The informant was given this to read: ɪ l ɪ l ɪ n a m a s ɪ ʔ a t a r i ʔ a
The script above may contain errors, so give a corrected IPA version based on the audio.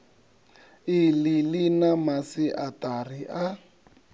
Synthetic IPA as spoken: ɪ l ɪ l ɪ n a m a s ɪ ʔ a t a r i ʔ a